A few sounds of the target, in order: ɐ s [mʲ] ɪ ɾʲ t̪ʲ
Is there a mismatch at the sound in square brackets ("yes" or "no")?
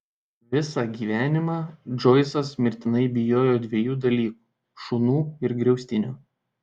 no